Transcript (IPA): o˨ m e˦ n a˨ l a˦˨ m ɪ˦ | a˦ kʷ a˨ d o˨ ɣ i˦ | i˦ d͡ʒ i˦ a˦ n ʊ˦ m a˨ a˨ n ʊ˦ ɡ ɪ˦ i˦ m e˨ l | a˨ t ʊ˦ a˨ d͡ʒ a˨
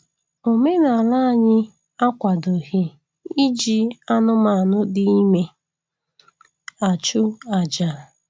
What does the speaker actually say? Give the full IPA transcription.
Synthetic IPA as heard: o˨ m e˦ n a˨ l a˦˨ ɲ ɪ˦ | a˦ kʷ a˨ d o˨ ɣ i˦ | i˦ d͡ʒ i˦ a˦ n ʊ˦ m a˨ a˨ n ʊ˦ d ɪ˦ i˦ m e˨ | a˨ t͡ʃ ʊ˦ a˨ d͡ʒ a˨

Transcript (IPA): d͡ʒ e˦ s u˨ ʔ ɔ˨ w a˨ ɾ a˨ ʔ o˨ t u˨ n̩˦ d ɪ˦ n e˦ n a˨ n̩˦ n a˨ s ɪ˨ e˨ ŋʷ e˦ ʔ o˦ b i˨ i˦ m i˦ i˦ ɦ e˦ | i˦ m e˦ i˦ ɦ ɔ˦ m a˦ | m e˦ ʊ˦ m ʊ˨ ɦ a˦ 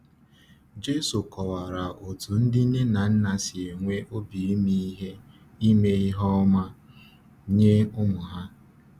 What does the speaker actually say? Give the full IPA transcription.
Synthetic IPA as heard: d͡ʒ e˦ s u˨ k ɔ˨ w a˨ ɾ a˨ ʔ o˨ t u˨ n̩˦ d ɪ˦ n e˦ n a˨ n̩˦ n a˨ s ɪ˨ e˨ ŋʷ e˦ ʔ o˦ b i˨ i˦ m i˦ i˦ ɦ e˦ | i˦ m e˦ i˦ ɦ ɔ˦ m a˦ | ɲ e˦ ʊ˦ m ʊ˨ ɦ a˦

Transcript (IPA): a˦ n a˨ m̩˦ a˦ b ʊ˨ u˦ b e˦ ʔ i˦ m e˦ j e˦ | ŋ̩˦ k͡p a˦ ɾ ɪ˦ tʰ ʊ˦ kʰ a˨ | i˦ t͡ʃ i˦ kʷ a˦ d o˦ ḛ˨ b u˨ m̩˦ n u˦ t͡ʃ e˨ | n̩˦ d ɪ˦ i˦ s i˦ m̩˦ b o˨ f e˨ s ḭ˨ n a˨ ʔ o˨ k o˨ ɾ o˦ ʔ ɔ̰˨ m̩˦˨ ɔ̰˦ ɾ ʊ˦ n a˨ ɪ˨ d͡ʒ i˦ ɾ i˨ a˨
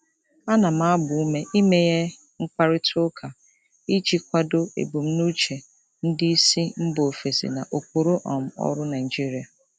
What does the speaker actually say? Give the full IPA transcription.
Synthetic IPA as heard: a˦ n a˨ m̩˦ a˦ b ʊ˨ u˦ m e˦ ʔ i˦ m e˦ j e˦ | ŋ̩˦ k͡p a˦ ɾ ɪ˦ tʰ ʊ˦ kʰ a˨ | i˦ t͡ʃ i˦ kʷ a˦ d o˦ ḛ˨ b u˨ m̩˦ n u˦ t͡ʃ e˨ | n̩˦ d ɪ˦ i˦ s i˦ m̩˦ b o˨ f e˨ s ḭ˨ n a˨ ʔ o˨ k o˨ ɾ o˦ ʔ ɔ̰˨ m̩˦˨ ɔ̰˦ ɾ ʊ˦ n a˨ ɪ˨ d͡ʒ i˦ ɾ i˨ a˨

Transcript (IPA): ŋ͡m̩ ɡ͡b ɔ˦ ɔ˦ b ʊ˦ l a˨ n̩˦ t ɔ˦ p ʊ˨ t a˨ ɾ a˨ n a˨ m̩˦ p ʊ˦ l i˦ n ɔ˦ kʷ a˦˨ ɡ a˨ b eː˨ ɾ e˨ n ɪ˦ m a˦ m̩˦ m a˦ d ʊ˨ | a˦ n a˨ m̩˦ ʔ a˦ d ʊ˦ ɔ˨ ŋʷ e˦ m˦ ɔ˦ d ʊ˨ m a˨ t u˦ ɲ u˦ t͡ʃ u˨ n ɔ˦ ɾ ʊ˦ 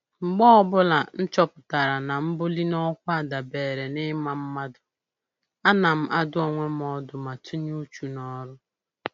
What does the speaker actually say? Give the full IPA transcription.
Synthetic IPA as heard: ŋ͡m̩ ɡ͡b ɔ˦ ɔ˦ b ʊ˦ l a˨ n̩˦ t͡ʃ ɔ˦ p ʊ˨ t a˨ ɾ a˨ n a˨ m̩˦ b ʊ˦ l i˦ n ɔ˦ kʷ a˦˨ d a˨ b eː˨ ɾ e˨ n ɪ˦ m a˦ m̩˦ m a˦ d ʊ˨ | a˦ n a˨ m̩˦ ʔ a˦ d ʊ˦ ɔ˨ ŋʷ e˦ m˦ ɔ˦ d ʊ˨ m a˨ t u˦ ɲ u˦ t͡ʃ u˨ n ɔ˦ ɾ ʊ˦

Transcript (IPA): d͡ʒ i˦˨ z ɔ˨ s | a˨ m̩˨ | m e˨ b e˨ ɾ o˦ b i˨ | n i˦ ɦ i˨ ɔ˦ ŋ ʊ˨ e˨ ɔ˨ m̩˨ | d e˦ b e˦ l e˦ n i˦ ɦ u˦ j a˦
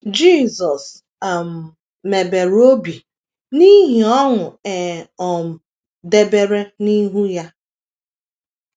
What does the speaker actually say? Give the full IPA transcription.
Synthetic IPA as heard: d͡ʒ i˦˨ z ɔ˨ s | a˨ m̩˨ | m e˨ b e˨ ɾ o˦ b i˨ | n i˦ ɦ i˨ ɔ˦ ŋ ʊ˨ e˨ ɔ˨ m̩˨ | d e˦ b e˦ ɾ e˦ n i˦ ɦ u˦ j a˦

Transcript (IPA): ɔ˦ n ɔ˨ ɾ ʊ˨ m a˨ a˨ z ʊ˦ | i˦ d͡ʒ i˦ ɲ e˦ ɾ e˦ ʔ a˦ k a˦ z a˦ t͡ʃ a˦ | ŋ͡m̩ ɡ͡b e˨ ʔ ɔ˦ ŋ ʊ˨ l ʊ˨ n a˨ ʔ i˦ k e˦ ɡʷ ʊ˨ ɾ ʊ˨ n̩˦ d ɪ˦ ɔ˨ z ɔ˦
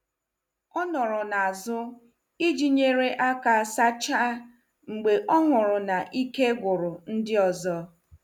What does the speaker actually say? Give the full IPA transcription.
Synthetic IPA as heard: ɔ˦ n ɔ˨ ɾ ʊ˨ n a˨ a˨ z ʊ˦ | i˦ d͡ʒ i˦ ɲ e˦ ɾ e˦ ʔ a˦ k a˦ s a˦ t͡ʃ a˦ | ŋ͡m̩ ɡ͡b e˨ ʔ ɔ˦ ŋ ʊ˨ ɾ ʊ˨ n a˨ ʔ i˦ k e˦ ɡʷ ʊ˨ ɾ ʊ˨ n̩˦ d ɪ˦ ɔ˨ z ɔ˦

